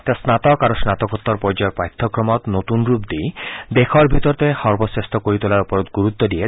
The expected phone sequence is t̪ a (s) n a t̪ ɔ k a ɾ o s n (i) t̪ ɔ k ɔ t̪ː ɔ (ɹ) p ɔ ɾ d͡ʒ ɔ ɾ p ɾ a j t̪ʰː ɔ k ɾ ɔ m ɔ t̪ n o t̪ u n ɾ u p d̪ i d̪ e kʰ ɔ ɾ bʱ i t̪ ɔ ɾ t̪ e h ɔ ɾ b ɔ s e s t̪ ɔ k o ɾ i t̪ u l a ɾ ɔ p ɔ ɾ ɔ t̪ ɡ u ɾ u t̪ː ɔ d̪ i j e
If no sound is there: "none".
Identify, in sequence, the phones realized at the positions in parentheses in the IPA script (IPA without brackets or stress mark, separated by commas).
s, a, ɾ